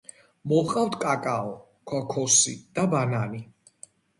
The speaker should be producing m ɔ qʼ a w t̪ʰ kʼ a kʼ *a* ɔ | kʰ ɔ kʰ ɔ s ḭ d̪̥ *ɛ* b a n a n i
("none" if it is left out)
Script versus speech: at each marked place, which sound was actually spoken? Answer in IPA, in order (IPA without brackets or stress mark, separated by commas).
a, a